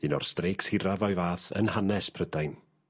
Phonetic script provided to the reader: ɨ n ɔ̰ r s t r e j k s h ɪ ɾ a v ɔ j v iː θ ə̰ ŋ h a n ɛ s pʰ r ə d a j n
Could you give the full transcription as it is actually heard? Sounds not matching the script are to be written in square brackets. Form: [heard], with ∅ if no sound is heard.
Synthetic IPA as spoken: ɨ n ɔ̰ r s t r e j k s h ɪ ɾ a v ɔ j v [aː] θ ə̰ [n] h a n ɛ s pʰ r ə d a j n